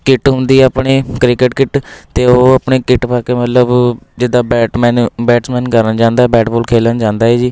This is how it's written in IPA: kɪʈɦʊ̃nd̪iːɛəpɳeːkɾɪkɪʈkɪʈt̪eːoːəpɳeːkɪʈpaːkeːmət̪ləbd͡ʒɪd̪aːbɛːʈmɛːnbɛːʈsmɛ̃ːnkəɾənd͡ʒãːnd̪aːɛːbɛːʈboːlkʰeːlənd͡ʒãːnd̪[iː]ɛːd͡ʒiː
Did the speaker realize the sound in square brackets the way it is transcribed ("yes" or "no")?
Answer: no